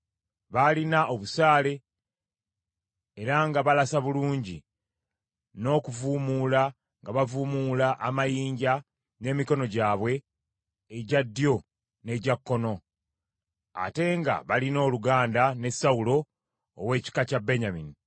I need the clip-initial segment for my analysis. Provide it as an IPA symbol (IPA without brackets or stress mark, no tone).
β